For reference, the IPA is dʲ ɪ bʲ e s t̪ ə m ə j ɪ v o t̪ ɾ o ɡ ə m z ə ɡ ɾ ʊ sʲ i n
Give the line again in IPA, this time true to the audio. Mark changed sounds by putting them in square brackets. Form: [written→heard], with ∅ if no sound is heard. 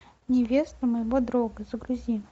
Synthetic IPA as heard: [dʲ→nʲ] ɪ [bʲ→vʲ] e s t̪ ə m ə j ɪ v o [t̪→d̪] ɾ o ɡ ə [m→∅] z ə ɡ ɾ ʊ [sʲ→zʲ] i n